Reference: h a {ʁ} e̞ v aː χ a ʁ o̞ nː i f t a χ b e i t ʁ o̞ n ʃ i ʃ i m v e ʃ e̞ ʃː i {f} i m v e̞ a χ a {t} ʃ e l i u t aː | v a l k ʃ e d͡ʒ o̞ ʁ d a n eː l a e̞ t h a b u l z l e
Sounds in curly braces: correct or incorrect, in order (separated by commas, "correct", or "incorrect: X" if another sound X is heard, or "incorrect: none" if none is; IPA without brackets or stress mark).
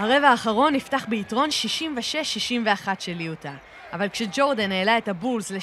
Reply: correct, incorrect: ʃ, correct